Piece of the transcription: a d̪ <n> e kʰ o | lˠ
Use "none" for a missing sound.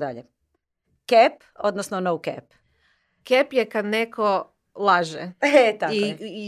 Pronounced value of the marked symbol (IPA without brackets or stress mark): n